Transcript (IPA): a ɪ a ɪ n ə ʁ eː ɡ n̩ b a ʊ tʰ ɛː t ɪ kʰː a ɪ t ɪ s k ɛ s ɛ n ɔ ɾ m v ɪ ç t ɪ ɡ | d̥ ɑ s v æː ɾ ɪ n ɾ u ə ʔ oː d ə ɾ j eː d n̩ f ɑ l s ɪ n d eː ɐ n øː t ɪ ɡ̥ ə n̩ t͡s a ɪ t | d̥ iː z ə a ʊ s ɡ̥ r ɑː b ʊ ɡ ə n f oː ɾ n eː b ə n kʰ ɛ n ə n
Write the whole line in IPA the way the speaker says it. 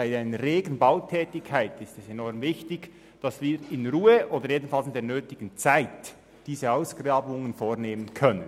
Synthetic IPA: a ɪ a ɪ n ə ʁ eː ɡ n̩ b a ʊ tʰ ɛː t ɪ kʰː a ɪ t ɪ s t ɛ s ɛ n ɔ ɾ m v ɪ ç t ɪ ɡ | d̥ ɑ s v iː ɾ ɪ n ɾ uː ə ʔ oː d ə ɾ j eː d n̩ f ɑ l s ɪ n d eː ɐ n øː t ɪ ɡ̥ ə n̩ t͡s a ɪ t | d̥ iː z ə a ʊ s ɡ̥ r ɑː b ʊ ŋ ə n f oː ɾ n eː m ə n kʰ œ n ə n